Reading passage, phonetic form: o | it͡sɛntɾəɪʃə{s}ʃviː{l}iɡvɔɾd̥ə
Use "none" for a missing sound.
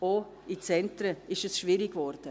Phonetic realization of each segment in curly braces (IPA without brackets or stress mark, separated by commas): s, ɾ